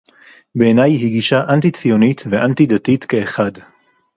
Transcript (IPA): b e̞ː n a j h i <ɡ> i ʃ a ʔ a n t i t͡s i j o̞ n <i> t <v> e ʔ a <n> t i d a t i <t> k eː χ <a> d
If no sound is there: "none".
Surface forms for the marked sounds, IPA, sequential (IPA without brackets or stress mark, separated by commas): ɡ, i, v, n, t, a